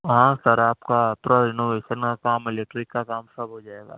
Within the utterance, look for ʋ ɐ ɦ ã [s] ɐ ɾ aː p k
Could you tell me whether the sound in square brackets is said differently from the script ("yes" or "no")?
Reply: no